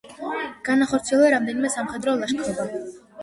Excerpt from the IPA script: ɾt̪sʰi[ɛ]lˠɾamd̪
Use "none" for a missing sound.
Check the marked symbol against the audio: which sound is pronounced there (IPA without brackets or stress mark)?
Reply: ɛ